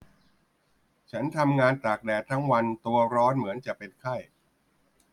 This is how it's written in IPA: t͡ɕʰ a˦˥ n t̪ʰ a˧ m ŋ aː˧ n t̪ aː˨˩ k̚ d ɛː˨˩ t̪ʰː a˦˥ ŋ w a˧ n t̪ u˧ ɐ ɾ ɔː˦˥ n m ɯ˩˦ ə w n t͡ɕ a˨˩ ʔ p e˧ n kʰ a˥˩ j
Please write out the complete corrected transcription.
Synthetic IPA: t͡ɕʰ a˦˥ n t̪ʰ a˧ m ŋ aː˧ n t̪ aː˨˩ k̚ d ɛː˨˩ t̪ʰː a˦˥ ŋ w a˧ n t̪ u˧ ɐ ɾ ɔː˦˥ n m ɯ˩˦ ə n t͡ɕ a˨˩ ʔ p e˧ n kʰ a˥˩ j